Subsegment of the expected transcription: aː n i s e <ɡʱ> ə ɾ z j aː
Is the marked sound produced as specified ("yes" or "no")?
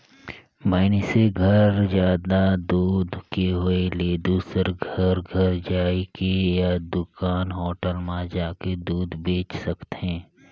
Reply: yes